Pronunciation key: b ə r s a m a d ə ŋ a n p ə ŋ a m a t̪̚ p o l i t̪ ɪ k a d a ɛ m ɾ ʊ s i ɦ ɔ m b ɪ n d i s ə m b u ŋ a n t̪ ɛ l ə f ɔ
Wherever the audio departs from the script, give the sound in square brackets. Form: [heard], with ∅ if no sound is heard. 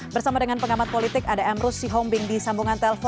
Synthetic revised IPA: b ə r s a m a d ə ŋ a n p ə ŋ a m a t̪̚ p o l i t̪ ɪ k a d a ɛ m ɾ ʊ s i ɦ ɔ m b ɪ [ŋ] d i s [a] m b u ŋ a n t̪ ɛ l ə f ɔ